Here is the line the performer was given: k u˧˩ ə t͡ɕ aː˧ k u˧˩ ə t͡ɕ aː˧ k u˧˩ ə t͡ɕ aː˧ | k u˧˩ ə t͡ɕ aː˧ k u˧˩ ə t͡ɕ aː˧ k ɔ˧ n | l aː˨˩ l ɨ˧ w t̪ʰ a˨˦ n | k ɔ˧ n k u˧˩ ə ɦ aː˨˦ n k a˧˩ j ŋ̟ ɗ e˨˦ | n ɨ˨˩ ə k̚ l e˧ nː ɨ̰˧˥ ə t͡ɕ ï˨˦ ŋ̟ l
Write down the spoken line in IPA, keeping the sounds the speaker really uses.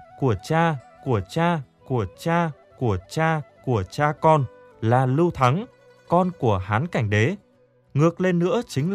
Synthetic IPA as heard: k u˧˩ ə t͡ɕ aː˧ k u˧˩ ə t͡ɕ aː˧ k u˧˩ ə t͡ɕ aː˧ | k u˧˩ ə t͡ɕ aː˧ k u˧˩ ə t͡ɕ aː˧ k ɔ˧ n | l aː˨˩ l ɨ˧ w t̪ʰ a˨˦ ŋ | k ɔ˧ n k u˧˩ ə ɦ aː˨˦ n k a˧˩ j ŋ̟ ɗ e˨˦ | ŋ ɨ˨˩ ə k̚ l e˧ nː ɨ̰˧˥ ə t͡ɕ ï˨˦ ŋ̟ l